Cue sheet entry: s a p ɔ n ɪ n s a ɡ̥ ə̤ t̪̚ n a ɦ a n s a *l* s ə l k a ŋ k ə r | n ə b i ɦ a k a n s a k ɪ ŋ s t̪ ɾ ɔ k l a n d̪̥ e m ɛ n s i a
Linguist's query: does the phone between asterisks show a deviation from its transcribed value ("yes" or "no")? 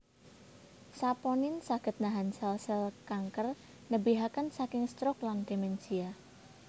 no